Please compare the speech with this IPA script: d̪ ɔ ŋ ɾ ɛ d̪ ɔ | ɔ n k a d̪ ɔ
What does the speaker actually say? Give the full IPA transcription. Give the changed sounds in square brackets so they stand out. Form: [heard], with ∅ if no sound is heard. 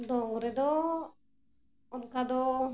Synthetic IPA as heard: d̪ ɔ ŋ ɾ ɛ d̪ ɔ | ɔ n k a d̪ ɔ

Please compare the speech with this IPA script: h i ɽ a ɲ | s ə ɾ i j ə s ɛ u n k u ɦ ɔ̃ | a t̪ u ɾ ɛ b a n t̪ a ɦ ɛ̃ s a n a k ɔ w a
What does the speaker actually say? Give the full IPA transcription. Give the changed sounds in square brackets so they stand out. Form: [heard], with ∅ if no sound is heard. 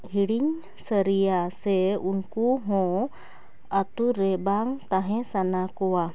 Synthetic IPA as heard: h i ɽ [i] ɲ | s ə ɾ i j [a] s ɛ u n k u ɦ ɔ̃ | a t̪ u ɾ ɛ b a [ŋ] t̪ a ɦ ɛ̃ s a n a k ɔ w a

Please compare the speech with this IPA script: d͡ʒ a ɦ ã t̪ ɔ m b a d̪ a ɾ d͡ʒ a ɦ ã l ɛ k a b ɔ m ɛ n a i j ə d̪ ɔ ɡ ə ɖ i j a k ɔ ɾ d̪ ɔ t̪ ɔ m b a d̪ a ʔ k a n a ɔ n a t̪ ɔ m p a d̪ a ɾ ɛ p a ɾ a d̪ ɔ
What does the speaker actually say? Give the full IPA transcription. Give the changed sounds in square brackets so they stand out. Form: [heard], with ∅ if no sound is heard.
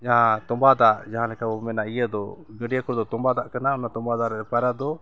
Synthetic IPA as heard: d͡ʒ a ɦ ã t̪ ɔ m b a d̪ a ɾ d͡ʒ a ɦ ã l ɛ k a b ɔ m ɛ n a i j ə d̪ ɔ ɡ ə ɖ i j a k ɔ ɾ d̪ ɔ t̪ ɔ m b a d̪ a ʔ k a n a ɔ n a t̪ ɔ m [b] a d̪ a ɾ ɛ p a ɾ a d̪ ɔ

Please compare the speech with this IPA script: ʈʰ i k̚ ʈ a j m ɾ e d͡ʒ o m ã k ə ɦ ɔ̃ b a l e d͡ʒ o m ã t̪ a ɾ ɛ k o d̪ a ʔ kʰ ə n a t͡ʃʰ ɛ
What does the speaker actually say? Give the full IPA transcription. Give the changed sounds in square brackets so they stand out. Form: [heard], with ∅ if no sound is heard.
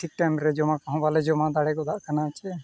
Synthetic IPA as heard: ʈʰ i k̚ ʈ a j m ɾ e d͡ʒ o m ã k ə ɦ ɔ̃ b a l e d͡ʒ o m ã [d̪] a [ɽ] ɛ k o d̪ a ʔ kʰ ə n a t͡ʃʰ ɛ

